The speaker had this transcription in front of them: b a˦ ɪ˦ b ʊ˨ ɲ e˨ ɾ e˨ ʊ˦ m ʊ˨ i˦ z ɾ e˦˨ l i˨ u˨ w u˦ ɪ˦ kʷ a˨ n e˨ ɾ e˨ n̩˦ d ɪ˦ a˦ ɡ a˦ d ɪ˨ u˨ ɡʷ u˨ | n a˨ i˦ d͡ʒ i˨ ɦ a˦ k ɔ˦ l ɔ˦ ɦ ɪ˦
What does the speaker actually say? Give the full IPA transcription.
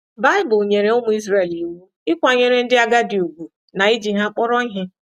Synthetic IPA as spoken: b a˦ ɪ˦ b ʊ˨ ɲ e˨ ɾ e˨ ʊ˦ m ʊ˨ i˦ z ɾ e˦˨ l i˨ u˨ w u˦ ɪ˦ kʷ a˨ ɲ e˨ ɾ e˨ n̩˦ d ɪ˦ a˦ ɡ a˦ d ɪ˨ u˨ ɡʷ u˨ | n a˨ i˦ d͡ʒ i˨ ɦ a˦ k͡p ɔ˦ ɾ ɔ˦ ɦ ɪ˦